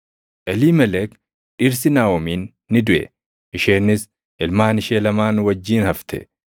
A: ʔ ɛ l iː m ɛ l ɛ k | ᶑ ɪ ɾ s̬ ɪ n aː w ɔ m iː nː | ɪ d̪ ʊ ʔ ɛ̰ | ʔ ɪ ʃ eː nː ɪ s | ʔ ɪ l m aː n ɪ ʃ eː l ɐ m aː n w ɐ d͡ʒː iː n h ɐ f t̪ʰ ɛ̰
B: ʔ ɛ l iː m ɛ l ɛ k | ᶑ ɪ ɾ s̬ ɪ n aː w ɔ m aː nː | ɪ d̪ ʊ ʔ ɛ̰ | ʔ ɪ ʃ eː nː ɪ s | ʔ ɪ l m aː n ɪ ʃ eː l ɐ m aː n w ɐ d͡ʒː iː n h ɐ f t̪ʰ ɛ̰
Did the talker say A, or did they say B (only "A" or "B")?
A